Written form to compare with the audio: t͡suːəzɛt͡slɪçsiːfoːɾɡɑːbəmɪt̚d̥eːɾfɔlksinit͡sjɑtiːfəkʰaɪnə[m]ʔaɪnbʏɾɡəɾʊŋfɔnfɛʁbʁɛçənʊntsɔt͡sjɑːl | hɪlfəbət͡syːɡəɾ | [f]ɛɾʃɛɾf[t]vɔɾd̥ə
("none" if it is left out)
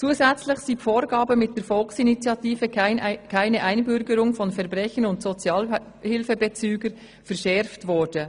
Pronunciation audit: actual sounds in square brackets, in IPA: none, f, t

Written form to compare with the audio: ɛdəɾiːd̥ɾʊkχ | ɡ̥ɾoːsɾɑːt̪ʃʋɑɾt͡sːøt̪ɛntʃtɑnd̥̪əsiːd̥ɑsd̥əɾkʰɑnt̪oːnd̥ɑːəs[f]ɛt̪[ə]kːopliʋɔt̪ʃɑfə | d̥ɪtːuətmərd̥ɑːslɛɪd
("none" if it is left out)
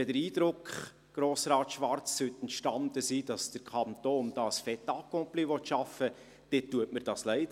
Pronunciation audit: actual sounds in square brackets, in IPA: f, ɑ

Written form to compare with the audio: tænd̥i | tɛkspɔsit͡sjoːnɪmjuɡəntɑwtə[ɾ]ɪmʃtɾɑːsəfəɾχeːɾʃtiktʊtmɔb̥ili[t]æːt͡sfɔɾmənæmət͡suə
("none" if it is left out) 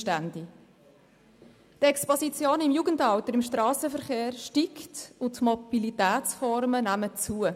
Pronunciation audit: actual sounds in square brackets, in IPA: ɾ, t

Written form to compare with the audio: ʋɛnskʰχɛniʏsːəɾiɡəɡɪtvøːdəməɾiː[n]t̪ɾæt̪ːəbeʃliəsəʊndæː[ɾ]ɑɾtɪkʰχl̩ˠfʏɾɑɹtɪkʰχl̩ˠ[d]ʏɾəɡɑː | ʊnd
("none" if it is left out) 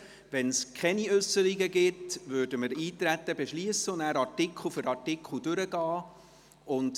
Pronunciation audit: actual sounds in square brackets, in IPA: none, ɾ, d

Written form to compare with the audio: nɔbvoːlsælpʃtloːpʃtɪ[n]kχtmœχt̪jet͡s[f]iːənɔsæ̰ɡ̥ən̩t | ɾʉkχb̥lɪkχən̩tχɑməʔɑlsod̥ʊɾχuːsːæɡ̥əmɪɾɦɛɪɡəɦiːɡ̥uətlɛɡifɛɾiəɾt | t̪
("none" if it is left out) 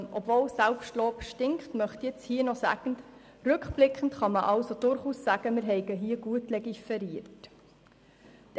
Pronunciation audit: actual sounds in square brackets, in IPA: ŋ, h

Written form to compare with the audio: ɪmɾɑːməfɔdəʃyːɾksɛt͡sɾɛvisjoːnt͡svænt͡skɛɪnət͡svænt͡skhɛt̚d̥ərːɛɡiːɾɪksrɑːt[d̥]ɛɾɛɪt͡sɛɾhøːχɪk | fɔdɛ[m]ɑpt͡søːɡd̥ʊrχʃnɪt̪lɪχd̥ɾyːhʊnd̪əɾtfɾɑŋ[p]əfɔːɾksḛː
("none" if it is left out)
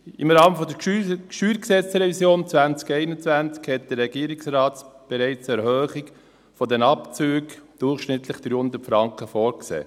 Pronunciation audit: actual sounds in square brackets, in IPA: b̥, n, k

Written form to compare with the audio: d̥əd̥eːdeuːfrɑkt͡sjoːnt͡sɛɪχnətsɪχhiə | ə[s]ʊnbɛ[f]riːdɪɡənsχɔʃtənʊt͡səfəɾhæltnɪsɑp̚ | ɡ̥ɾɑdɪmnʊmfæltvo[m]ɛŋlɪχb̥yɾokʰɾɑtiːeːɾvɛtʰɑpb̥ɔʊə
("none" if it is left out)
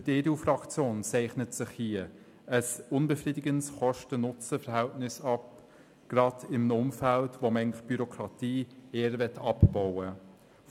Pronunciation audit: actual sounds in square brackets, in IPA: s, f, m

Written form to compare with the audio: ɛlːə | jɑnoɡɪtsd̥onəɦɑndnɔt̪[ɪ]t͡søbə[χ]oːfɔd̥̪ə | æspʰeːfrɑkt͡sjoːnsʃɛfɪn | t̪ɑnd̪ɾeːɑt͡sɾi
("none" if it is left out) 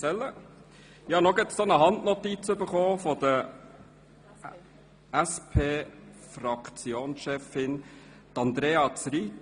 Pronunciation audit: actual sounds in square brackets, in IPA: i, χ

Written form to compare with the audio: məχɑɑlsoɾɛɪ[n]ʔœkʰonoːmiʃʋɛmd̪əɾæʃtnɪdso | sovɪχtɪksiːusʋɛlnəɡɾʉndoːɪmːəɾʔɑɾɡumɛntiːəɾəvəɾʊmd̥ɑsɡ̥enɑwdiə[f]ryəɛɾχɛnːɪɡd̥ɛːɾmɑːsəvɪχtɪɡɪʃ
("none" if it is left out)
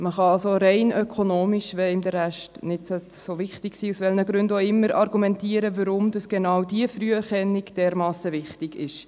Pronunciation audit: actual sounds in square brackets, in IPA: n, f

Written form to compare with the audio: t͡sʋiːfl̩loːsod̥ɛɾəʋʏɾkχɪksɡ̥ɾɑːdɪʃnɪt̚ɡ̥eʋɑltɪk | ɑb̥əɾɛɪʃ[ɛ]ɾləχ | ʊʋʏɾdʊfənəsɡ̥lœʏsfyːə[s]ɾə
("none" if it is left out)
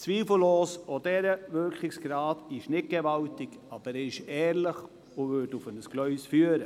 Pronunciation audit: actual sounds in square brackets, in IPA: ɛː, none

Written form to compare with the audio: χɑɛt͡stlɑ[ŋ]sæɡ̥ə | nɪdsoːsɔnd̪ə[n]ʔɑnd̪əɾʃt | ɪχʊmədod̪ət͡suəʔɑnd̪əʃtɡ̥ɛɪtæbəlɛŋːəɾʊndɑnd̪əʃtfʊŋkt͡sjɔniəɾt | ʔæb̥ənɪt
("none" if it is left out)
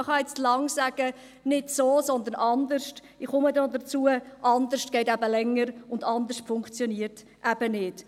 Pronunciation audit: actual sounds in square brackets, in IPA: ŋ, n

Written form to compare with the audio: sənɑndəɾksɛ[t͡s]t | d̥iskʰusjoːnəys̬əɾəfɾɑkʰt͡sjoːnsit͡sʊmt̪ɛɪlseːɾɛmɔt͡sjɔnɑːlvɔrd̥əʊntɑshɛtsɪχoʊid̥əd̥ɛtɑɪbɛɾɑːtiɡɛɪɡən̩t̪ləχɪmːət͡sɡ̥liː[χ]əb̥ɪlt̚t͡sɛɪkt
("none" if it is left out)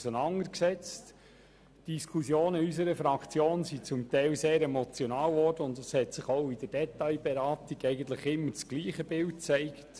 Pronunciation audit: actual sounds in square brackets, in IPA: t͡s, χ

